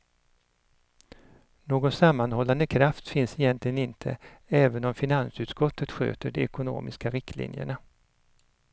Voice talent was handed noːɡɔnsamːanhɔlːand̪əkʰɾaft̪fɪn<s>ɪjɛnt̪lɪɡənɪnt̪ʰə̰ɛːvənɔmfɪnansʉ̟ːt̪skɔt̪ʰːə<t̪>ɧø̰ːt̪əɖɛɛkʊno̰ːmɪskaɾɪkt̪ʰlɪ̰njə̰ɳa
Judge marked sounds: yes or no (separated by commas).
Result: yes, yes